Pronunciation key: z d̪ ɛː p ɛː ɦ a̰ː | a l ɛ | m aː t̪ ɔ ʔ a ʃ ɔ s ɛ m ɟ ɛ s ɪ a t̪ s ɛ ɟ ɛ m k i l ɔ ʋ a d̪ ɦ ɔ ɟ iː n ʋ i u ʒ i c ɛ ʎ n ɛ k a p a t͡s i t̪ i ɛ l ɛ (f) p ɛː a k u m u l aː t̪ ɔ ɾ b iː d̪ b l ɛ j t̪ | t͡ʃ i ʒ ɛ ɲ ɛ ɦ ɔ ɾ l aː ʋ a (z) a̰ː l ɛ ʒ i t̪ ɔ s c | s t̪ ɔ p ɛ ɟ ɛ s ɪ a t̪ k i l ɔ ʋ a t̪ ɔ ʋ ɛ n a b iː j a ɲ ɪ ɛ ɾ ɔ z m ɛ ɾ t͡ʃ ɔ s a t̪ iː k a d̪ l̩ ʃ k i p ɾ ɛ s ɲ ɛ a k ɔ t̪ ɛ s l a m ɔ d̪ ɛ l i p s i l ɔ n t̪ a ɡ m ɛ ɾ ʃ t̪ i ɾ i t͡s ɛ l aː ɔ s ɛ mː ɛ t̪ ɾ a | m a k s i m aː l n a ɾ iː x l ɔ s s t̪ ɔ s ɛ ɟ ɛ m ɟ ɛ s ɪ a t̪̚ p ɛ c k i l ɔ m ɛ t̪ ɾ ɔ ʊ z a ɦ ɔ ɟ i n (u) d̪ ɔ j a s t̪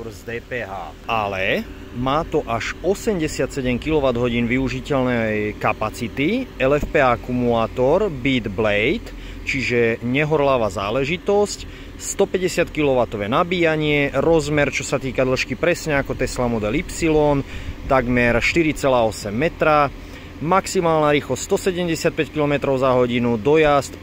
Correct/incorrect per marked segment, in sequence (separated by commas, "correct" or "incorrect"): correct, correct, correct